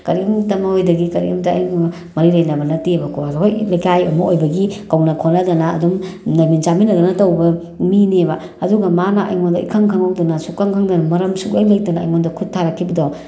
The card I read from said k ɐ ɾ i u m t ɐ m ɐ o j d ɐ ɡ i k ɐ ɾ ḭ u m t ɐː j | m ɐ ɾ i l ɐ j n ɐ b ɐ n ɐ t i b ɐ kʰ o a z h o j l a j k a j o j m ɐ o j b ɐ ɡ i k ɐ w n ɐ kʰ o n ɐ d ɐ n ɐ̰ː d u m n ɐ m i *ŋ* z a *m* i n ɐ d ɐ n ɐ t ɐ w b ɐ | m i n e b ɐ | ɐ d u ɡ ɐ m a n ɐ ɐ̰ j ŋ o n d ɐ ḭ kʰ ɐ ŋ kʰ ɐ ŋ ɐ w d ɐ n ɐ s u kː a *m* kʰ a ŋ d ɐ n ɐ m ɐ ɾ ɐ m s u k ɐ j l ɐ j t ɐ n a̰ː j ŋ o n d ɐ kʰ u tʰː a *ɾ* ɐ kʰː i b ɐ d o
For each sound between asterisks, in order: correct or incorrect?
incorrect, correct, incorrect, correct

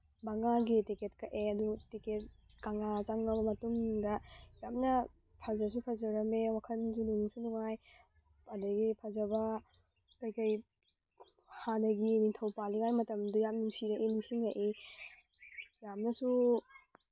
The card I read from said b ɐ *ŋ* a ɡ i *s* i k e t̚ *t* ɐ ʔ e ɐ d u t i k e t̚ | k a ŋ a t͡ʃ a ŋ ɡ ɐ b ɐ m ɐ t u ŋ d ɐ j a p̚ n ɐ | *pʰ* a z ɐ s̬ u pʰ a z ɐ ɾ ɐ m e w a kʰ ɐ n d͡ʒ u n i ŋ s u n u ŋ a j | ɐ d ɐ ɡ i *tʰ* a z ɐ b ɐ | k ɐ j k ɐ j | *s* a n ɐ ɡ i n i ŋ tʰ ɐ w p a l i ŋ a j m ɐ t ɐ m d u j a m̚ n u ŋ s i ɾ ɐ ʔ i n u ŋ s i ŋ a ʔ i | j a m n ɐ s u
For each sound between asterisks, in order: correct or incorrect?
correct, incorrect, incorrect, correct, incorrect, incorrect

